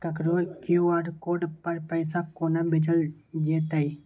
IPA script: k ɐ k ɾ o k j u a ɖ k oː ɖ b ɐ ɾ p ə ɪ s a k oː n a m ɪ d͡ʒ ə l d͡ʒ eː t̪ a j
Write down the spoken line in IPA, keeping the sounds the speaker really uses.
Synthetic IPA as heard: k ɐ k ɾ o k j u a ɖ k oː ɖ p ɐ ɾ p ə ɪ s a k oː n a b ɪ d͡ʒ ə l d͡ʒ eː t̪ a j